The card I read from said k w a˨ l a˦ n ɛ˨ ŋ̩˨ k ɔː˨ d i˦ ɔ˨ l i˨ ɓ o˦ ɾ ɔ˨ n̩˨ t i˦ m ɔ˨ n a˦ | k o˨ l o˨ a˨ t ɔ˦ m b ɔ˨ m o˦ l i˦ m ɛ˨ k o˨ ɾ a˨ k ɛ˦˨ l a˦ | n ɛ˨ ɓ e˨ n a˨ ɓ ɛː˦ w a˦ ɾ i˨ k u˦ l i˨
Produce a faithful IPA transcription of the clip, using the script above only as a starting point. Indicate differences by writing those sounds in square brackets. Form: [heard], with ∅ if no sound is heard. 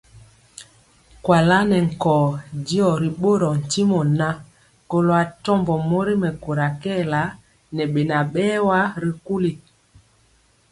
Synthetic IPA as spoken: k w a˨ l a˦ n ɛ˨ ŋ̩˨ k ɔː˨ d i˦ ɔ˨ [ɾ] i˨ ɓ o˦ ɾ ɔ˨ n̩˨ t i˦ m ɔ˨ n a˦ | k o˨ l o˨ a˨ t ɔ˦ m b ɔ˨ m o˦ [ɾ] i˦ m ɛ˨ k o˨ ɾ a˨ k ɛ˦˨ l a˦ | n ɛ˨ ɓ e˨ n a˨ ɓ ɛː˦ w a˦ ɾ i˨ k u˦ l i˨